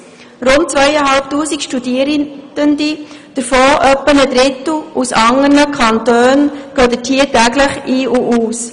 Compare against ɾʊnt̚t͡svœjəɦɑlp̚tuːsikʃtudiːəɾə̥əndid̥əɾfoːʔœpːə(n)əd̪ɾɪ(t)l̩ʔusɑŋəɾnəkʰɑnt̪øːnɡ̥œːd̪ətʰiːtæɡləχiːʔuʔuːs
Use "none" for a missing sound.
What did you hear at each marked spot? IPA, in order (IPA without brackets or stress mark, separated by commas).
n, t